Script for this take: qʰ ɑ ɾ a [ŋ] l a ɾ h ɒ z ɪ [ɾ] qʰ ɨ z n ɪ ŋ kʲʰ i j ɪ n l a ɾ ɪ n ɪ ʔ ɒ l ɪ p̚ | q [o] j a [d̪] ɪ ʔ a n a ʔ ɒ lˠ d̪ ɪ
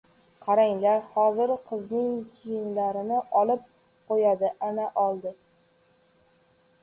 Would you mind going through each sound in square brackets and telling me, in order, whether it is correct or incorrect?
correct, correct, correct, correct

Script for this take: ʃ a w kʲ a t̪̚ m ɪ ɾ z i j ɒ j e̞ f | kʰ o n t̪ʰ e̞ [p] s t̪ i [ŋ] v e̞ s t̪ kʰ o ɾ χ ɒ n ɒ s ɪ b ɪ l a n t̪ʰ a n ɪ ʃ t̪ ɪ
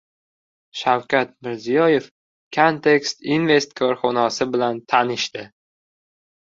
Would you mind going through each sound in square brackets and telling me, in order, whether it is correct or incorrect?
incorrect: k, incorrect: n

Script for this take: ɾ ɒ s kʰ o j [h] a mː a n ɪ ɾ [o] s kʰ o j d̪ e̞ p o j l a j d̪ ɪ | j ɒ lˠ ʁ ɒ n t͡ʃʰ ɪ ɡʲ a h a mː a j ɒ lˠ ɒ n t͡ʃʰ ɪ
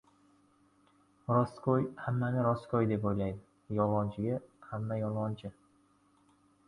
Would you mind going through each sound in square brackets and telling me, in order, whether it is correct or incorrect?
correct, incorrect: ɒ

